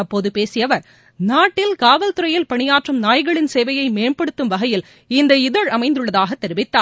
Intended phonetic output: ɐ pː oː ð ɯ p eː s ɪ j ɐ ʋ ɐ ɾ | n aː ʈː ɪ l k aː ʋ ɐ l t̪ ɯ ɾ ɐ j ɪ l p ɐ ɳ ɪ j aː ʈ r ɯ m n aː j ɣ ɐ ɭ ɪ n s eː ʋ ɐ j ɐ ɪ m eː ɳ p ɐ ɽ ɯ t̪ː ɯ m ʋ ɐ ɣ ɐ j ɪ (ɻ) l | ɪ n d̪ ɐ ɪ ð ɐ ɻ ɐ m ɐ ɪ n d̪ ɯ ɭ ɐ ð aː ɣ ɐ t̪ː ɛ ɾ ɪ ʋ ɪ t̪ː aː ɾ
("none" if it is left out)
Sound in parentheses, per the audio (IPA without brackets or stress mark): none